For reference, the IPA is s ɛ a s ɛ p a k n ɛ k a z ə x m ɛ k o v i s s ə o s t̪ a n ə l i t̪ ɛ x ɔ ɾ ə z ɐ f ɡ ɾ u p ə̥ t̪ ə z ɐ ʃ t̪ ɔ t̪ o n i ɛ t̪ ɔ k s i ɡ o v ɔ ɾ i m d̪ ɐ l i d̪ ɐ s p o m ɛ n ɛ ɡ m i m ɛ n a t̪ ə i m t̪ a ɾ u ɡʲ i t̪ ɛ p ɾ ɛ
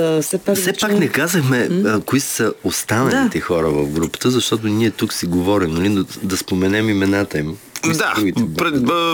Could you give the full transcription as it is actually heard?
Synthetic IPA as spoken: s ɛ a s ɛ p a k n ɛ k a z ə x m ɛ k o i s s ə o s t̪ a n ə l i t̪ ɛ x ɔ ɾ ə v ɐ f ɡ ɾ u p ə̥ t̪ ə z ɐ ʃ t̪ ɔ t̪ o n i ɛ t̪ u k s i ɡ o v ɔ ɾ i m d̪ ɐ l i d̪ ɐ s p o m ɛ n ɛ m i m ɛ n a t̪ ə i m d̪ a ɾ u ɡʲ i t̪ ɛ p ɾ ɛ